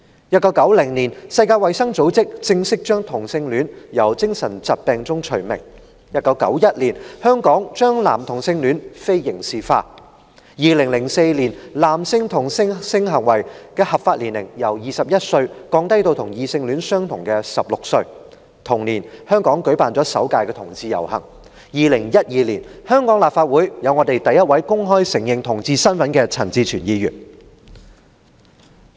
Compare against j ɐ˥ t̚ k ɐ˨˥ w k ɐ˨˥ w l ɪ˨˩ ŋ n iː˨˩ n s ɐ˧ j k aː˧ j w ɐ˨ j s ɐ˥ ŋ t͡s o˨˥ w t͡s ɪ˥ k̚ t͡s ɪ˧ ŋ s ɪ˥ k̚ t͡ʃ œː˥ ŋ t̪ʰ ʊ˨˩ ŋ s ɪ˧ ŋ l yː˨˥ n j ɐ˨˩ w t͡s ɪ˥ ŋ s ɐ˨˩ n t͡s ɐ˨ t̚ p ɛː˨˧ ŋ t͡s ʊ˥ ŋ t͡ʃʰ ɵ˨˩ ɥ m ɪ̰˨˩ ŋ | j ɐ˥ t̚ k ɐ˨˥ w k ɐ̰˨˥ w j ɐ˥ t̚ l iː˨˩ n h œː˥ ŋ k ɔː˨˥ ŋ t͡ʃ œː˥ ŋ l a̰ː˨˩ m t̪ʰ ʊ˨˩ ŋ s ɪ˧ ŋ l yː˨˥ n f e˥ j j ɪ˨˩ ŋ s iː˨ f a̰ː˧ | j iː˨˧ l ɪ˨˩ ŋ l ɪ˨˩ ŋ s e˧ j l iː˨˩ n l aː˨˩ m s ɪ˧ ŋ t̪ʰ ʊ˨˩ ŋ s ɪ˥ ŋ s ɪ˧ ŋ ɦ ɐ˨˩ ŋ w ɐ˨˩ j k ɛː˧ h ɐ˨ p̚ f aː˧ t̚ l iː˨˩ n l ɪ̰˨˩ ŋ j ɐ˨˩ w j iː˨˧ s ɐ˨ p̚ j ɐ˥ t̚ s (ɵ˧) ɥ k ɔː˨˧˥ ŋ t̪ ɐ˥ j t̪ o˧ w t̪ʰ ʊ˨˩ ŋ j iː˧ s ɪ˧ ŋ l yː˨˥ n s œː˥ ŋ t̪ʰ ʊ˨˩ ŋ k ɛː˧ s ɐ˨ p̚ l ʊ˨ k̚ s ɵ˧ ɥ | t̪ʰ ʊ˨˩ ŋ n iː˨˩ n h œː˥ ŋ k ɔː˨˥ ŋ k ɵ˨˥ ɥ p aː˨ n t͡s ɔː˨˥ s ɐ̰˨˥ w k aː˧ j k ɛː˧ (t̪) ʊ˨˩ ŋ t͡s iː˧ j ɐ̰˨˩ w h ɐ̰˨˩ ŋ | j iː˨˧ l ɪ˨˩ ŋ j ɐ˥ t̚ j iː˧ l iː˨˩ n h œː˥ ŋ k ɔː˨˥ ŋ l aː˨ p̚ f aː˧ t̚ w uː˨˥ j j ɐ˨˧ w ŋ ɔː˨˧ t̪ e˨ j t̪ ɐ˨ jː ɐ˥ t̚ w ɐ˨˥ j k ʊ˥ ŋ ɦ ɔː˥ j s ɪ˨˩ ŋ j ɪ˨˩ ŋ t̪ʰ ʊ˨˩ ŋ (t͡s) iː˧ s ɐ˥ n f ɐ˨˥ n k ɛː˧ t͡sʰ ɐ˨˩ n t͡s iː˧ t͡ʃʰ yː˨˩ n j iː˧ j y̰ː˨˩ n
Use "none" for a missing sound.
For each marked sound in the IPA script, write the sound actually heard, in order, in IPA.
ɵ˧, t̪ʰ, t͡s

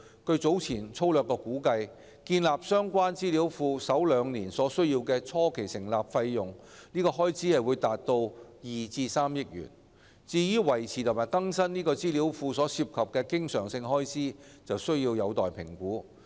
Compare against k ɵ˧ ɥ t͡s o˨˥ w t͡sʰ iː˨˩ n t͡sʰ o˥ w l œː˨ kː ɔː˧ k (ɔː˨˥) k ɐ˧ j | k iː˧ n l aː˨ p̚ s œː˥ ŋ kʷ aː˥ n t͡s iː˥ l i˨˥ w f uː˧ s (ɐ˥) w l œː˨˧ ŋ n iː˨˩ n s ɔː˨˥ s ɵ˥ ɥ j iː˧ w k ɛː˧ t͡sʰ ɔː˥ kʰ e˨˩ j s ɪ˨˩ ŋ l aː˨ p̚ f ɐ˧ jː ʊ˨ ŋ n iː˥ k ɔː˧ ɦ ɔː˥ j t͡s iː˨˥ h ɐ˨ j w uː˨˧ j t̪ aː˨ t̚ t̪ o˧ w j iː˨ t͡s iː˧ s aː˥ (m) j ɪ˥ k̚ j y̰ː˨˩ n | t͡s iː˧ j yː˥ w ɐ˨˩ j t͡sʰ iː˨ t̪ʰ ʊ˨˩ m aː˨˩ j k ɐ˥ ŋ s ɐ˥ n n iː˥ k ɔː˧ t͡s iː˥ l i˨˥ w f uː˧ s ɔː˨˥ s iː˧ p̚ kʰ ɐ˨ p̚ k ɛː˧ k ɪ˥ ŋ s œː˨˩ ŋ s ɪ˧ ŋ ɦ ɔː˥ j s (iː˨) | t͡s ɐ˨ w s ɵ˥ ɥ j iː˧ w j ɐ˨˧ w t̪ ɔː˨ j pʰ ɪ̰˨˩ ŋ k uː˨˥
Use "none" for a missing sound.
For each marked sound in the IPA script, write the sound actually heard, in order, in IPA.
uː˨˥, ɐ˨˥, m, iː˥

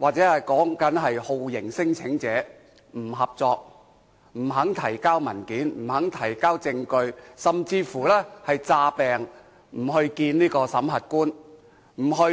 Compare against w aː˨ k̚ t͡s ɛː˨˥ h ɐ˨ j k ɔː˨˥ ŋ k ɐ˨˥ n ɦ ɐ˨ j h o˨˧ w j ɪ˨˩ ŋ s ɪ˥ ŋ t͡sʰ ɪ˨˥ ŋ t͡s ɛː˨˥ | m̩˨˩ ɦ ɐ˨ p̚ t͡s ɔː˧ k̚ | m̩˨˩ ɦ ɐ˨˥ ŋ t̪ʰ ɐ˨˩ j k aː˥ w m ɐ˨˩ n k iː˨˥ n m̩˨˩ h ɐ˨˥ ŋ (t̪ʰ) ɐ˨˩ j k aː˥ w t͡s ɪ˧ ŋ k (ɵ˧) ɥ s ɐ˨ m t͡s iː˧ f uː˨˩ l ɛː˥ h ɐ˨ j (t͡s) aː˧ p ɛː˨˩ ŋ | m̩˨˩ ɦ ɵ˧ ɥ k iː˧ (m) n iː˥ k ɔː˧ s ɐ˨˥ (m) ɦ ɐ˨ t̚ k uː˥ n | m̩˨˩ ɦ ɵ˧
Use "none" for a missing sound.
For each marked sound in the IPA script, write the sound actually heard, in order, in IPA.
t̪ʰ, ɵ˧, t͡s, n, m

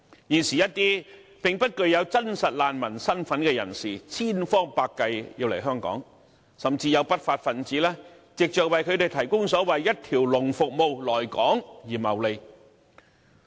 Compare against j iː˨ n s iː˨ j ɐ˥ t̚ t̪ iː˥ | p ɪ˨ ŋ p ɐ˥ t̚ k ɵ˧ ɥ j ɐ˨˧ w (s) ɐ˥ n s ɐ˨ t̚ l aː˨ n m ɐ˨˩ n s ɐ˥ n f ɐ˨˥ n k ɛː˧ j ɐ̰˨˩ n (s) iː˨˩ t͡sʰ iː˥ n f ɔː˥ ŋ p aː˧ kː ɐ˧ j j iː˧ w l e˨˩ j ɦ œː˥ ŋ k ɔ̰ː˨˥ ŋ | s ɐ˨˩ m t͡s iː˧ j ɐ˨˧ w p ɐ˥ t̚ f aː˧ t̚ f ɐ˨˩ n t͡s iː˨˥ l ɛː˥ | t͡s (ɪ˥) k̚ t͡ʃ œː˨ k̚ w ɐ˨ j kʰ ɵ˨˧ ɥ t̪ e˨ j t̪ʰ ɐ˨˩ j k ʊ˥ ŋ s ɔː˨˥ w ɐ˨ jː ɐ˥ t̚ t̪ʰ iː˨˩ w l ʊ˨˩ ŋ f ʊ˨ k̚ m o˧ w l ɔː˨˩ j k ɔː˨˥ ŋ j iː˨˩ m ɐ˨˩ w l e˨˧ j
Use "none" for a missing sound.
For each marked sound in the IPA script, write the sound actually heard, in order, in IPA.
t͡s, s, ɪ˨

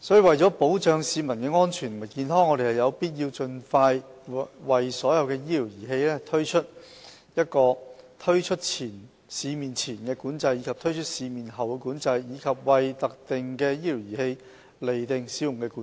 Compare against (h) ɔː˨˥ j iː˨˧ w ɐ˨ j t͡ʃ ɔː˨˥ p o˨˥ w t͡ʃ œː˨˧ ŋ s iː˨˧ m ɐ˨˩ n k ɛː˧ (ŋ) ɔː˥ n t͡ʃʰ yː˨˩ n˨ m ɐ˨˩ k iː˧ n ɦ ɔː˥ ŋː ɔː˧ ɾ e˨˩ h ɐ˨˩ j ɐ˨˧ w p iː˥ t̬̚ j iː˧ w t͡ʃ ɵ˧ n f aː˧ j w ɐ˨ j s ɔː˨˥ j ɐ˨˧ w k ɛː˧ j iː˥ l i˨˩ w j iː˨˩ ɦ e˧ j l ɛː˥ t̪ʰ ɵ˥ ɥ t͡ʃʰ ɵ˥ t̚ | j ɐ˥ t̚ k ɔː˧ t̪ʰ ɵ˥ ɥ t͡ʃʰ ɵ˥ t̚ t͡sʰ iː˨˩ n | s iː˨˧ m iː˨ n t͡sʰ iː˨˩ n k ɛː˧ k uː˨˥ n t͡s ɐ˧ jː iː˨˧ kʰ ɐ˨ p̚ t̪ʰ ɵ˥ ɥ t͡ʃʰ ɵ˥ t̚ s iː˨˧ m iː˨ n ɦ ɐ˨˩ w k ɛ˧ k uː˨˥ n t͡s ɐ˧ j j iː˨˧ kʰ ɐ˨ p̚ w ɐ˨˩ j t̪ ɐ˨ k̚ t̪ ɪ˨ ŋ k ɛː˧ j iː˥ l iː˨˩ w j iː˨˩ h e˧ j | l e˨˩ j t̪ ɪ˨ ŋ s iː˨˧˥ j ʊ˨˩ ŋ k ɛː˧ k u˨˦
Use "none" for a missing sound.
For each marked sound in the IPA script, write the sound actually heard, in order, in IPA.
s, ŋ

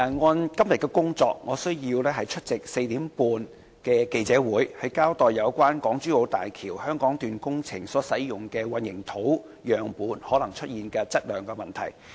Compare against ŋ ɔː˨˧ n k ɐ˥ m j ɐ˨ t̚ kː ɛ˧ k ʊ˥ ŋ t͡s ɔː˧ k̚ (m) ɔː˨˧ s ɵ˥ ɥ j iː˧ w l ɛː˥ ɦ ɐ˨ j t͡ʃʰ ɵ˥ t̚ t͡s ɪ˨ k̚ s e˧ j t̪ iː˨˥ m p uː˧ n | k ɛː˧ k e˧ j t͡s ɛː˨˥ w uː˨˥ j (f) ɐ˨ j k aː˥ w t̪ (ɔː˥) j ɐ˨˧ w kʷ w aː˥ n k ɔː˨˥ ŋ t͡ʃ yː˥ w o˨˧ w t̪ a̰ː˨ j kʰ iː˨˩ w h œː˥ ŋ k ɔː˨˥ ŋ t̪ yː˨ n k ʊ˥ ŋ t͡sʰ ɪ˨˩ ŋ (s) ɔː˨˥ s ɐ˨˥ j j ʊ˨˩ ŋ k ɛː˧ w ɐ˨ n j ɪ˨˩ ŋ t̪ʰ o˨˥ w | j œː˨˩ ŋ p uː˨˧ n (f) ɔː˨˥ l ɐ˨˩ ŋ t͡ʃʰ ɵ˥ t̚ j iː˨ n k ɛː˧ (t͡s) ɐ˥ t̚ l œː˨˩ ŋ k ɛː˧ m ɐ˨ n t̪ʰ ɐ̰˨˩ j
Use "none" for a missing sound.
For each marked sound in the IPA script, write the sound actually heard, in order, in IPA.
ŋ, h, ɔː˨, s, h, t͡s

